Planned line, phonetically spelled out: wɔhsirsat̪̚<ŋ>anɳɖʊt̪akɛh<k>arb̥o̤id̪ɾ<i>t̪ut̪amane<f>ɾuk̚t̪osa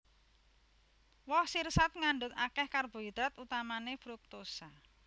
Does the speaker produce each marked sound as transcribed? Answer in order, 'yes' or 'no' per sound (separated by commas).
yes, yes, no, yes